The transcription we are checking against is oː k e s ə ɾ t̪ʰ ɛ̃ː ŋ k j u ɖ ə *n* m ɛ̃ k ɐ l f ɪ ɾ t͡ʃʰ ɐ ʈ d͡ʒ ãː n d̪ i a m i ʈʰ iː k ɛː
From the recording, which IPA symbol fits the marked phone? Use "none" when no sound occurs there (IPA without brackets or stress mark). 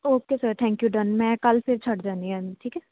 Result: n